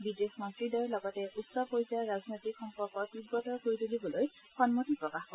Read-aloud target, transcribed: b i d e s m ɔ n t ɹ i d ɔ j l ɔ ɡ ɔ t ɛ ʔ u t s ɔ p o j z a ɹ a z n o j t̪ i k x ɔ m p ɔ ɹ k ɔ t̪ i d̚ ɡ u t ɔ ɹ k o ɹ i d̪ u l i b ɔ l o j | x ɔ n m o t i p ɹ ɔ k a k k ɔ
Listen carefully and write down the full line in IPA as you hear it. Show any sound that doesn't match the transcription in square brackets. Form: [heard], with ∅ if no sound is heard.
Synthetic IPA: b i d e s m ɔ n t ɹ i d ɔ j l ɔ ɡ ɔ t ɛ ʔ u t s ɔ p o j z a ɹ a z n o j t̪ i k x ɔ m p ɔ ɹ k ɔ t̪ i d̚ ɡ [ɔ] t ɔ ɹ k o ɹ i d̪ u l i b ɔ l o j | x ɔ n m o t i p ɹ ɔ k a [x] k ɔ